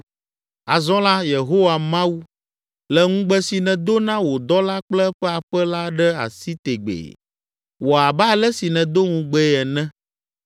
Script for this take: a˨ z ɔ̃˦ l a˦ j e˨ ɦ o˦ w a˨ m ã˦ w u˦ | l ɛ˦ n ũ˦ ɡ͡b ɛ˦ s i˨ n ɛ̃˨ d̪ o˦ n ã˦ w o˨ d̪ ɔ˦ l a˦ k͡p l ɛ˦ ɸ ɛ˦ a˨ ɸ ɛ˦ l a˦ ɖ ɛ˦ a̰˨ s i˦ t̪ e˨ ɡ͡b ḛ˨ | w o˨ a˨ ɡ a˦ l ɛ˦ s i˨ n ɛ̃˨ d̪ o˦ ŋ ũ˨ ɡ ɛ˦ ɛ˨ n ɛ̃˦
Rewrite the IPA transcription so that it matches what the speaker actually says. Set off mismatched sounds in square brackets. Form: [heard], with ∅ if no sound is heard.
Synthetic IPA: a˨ z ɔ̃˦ l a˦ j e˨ ɦ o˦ w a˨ m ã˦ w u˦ | l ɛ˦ [ŋ] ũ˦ ɡ͡b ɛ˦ s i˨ n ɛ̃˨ d̪ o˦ n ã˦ w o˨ d̪ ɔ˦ l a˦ k͡p l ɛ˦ ɸ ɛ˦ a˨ ɸ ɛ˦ l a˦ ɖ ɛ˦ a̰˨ s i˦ t̪ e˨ ɡ͡b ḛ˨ | w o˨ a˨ [b] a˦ l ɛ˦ s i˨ n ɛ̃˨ d̪ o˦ ŋ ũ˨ [ɡ͡b] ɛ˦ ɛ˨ n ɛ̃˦